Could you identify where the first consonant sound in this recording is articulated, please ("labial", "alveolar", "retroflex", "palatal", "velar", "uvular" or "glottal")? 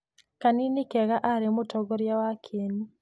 velar